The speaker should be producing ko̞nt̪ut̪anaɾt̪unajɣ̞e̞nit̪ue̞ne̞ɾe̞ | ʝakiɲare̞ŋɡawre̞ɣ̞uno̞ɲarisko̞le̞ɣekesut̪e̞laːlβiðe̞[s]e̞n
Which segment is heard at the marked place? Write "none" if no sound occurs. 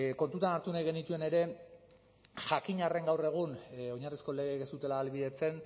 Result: t͡s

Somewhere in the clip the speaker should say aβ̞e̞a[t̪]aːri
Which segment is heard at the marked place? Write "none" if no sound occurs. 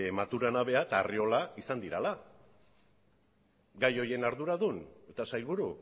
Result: t̪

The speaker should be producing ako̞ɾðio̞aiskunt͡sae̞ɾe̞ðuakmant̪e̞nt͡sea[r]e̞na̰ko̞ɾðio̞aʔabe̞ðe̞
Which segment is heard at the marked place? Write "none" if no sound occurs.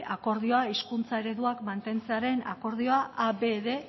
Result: ɾ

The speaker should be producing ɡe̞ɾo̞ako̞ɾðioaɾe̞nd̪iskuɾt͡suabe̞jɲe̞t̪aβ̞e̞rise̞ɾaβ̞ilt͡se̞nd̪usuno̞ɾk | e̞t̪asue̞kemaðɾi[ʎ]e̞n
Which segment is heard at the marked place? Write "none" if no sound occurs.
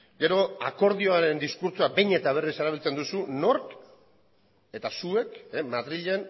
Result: ʎ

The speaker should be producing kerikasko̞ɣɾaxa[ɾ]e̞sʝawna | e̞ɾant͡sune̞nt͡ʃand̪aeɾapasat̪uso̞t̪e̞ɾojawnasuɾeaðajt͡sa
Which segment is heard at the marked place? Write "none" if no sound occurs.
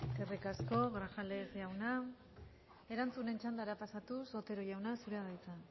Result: l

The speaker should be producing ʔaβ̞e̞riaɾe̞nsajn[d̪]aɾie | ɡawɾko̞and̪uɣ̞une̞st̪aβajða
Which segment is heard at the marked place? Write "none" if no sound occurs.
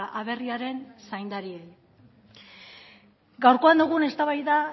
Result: d̪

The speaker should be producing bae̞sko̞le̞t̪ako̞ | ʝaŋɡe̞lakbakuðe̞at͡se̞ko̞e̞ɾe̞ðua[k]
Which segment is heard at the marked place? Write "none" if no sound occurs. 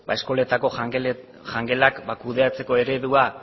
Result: none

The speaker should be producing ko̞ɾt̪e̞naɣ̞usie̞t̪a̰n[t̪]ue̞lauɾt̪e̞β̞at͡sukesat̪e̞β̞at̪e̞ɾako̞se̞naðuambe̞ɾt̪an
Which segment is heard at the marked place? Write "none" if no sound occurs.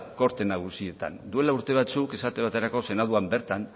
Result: d̪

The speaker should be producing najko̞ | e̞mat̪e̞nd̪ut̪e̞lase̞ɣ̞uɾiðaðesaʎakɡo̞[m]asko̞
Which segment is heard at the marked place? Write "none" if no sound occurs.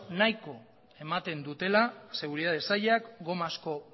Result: m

